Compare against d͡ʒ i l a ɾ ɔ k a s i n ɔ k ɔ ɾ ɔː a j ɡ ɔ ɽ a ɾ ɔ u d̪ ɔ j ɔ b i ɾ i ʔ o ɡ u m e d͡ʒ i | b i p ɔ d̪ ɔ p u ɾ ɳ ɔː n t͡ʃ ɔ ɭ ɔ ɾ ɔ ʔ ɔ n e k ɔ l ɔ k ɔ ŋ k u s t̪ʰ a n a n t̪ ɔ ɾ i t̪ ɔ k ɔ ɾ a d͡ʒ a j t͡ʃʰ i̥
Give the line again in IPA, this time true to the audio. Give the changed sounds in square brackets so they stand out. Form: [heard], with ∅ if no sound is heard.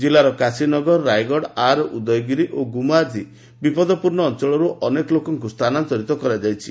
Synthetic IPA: d͡ʒ i l a ɾ ɔ k a s i n ɔ [ɡ] ɔ ɾ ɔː a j ɡ ɔ ɽ a ɾ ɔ u d̪ ɔ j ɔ [ɡ] i ɾ i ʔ o ɡ u m [a] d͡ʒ i | b i p ɔ d̪ ɔ p u ɾ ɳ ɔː n t͡ʃ ɔ ɭ ɔ ɾ [u] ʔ ɔ n e k ɔ l [o] k ɔ ŋ k u s t̪ʰ a n a n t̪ ɔ ɾ i t̪ ɔ k ɔ ɾ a d͡ʒ a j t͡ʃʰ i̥